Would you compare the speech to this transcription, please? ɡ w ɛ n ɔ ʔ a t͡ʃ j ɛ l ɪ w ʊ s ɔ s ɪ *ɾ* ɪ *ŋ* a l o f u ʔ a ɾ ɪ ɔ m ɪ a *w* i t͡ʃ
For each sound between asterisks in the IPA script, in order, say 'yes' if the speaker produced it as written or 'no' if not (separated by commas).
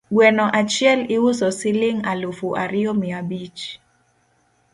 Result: no, yes, no